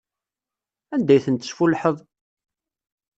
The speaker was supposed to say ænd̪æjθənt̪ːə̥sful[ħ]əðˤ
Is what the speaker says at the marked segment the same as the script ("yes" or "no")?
yes